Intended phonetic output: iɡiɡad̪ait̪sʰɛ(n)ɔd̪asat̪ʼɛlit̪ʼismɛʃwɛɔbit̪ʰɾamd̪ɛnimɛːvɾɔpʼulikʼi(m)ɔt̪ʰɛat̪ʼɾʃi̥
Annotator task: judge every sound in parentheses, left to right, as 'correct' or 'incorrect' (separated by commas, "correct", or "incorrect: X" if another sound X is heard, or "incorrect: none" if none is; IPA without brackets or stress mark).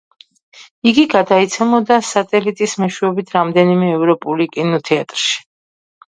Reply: incorrect: m, incorrect: n